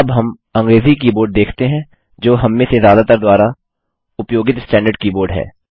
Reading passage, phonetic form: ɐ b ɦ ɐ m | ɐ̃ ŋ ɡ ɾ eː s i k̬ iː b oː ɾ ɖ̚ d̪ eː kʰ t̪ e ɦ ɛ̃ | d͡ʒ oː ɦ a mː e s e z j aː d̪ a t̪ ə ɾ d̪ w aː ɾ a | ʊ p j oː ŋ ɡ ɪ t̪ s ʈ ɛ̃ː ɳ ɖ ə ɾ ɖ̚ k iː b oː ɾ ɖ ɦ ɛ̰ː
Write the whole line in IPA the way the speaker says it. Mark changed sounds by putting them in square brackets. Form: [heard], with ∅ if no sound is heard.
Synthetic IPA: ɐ b ɦ ɐ m | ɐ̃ ŋ ɡ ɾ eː [z] i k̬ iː b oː ɾ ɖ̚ d̪ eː kʰ t̪ e ɦ ɛ̃ | d͡ʒ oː ɦ [ɐ] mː [ẽ] s e z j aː d̪ a t̪ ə ɾ d̪ w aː ɾ a | ʊ p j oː [∅] ɡ ɪ t̪ s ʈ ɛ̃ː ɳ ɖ ə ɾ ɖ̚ k iː b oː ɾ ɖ ɦ ɛ̰ː

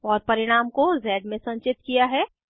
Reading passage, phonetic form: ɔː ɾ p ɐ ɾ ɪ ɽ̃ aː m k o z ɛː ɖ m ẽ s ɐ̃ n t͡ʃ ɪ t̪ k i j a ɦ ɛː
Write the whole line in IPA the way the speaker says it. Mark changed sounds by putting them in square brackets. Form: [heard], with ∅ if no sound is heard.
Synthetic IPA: ɔː ɾ p ɐ ɾ ɪ ɽ̃ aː m k o z ɛː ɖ m ẽ s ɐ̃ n t͡ʃ ɪ t̪ k i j a ɦ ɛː

